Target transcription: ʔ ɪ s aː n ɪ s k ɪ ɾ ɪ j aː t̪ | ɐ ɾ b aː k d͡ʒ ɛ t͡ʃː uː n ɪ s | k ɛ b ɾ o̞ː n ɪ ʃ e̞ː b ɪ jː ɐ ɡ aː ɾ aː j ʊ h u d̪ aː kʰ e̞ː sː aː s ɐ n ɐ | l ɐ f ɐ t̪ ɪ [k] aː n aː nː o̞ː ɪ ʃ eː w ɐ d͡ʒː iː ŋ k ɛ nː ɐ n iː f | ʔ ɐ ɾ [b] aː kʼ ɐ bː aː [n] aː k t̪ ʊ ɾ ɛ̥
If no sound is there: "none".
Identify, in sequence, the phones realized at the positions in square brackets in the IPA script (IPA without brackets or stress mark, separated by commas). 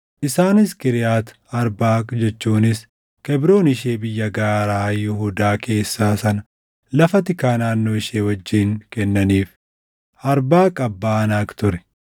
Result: k, b, n